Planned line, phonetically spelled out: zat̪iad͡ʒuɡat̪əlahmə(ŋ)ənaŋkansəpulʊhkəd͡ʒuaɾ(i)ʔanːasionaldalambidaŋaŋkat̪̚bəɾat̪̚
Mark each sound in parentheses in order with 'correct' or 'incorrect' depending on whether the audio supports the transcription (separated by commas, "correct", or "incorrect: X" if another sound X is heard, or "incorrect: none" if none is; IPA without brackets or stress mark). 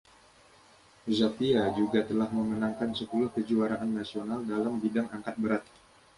incorrect: m, incorrect: a